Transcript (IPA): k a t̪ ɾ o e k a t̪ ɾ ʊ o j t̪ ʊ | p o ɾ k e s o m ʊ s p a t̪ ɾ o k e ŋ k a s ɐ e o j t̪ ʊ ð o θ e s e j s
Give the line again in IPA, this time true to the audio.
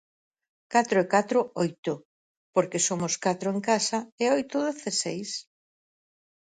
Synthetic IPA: k a t̪ ɾ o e k a t̪ ɾ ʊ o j t̪ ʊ | p o ɾ k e s o m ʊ s k a t̪ ɾ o e ŋ k a s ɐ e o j t̪ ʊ ð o θ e s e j s